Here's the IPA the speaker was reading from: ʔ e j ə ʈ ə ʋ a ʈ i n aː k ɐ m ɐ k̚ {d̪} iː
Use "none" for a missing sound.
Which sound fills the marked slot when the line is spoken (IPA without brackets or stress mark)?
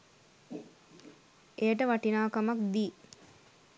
d̪